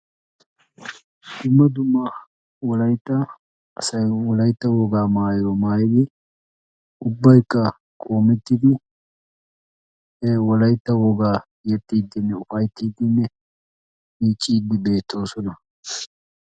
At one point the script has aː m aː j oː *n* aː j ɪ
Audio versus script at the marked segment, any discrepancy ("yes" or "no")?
yes